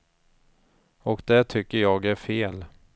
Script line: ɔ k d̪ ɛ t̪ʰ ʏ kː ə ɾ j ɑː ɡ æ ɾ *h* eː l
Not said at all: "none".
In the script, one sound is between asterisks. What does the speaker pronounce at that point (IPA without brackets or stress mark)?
f